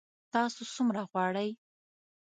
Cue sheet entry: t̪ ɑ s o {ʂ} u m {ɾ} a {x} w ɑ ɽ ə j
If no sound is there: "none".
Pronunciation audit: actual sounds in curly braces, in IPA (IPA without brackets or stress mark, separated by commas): s, ɾ, ɣ